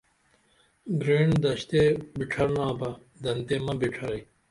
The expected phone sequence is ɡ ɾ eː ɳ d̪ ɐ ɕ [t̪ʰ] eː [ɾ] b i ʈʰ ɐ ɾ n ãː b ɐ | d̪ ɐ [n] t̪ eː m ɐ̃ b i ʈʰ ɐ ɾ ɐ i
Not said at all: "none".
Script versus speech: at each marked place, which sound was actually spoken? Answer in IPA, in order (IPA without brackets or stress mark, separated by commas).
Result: t̪, none, n